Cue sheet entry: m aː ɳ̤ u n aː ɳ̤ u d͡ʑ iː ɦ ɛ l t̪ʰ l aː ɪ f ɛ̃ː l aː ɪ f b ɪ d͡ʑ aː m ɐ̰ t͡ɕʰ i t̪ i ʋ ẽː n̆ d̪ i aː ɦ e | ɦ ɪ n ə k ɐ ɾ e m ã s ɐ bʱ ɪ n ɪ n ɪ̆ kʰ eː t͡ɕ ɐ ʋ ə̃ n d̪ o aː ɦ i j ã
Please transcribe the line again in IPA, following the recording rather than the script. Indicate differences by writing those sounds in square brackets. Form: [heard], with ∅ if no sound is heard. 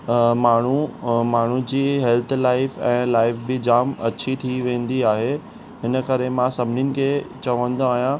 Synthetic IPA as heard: m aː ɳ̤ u [m] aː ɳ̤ u d͡ʑ iː ɦ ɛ l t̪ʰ l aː ɪ f ɛ̃ː l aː ɪ f b ɪ d͡ʑ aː m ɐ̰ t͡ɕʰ i [t̪ʰ] i ʋ ẽː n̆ d̪ i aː ɦ e | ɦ ɪ n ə k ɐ ɾ e m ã s ɐ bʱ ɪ n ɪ n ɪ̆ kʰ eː t͡ɕ ɐ ʋ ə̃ n d̪ o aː ɦ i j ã